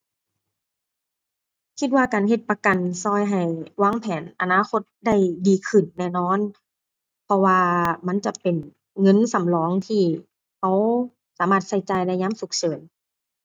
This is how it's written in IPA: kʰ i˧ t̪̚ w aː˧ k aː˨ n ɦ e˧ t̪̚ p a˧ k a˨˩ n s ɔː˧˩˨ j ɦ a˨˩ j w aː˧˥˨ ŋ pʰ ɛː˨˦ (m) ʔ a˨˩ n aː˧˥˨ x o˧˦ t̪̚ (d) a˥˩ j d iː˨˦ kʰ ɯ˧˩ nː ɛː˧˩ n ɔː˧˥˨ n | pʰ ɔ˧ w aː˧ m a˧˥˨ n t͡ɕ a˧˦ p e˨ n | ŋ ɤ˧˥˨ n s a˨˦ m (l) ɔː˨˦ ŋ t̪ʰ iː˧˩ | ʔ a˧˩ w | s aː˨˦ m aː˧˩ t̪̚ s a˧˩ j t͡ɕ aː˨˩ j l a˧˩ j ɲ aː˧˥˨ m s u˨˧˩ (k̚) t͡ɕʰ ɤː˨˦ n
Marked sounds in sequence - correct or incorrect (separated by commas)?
incorrect, correct, correct, correct